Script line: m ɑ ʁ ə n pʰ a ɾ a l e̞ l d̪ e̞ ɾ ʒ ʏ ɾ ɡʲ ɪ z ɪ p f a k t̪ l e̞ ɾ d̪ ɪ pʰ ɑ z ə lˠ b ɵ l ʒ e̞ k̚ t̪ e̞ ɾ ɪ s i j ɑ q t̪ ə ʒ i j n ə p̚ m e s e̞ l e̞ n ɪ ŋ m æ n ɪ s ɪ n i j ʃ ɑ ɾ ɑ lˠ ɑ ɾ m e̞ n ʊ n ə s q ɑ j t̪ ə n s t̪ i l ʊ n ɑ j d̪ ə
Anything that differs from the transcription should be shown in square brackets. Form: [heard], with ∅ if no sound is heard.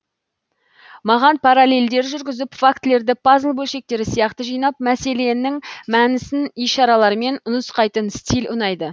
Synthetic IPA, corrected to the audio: m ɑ ʁ [ɑ] n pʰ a ɾ a l e̞ l d̪ e̞ ɾ ʒ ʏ ɾ ɡʲ ɪ z ɪ p f a k t̪ l e̞ ɾ d̪ ɪ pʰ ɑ z ə lˠ b ɵ l [ʃ] e̞ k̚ t̪ e̞ ɾ ɪ s i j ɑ q t̪ ə ʒ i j n [ɑ] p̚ m [æ] s e̞ l e̞ n ɪ ŋ m æ n ɪ s ɪ n i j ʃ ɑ ɾ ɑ lˠ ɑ ɾ m e̞ n ʊ n ə s q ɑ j t̪ ə n s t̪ i l ʊ n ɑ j d̪ ə